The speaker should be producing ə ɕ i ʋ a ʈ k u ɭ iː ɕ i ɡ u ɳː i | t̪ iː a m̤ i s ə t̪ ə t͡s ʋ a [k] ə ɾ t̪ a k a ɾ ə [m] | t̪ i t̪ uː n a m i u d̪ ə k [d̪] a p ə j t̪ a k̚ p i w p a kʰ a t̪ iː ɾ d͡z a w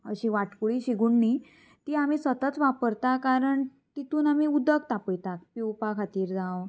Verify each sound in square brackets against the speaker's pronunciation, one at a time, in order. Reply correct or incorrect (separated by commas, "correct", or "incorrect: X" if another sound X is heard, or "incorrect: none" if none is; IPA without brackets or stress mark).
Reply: incorrect: p, incorrect: ɳ, incorrect: t̪